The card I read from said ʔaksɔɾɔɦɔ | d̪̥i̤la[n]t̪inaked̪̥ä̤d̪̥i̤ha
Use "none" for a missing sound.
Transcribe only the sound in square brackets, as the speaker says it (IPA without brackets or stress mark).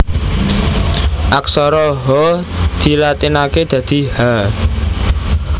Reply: none